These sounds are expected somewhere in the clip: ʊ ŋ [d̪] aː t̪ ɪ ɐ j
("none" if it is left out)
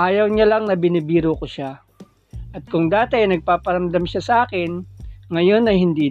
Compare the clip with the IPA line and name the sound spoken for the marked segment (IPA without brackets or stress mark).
d̪